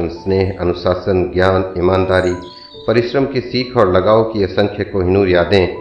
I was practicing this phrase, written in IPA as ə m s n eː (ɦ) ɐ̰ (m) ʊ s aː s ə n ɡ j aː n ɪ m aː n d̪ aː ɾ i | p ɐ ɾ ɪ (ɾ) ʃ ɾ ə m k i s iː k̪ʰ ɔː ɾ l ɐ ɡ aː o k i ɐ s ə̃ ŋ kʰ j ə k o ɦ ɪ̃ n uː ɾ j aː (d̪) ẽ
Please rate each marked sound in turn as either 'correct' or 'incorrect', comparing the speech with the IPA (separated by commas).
correct, incorrect, incorrect, correct